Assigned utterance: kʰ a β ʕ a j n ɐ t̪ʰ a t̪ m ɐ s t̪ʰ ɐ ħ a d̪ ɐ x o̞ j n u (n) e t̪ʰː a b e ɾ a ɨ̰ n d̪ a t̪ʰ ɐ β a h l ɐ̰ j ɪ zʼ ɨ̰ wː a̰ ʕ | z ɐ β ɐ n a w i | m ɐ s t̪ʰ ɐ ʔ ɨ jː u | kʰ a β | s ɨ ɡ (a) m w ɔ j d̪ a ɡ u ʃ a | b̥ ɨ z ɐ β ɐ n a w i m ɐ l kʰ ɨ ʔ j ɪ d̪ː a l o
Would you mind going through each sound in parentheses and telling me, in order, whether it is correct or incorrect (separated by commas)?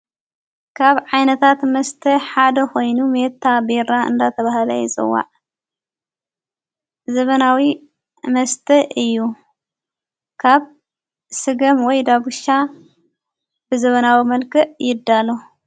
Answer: incorrect, incorrect